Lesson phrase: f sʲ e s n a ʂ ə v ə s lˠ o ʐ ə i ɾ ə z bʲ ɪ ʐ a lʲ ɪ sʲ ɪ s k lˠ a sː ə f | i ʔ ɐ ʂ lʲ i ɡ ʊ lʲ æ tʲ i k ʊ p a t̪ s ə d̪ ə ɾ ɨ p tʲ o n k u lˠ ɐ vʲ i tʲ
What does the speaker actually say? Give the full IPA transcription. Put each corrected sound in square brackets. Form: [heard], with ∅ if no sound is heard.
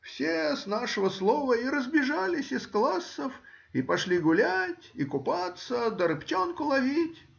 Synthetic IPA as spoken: f sʲ e s n a ʂ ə v ə s lˠ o [v] ə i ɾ ə z bʲ ɪ ʐ a lʲ ɪ sʲ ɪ s k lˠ a sː ə f | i [p] ɐ ʂ lʲ i ɡ ʊ lʲ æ tʲ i k ʊ p a t̪ s ə d̪ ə ɾ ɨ p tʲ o n k [ʊ] lˠ ɐ vʲ i tʲ